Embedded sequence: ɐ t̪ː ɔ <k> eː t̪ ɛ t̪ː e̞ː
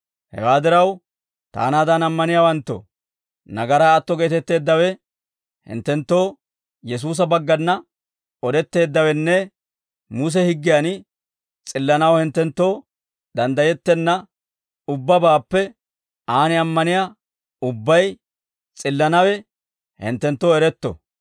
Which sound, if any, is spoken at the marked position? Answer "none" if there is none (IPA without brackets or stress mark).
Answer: ɡ